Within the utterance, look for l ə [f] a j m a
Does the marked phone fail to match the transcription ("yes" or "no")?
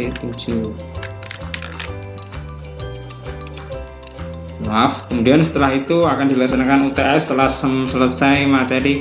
yes